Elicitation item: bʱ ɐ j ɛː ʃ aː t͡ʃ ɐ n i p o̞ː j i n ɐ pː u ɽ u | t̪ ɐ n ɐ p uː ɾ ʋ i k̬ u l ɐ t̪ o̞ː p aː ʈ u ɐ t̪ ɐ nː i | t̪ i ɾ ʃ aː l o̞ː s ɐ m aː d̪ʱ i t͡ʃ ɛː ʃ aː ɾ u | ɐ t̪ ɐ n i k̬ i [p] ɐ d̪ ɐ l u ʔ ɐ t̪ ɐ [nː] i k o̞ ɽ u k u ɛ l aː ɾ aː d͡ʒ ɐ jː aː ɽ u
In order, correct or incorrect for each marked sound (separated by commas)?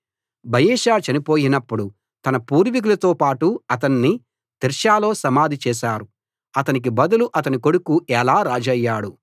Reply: incorrect, incorrect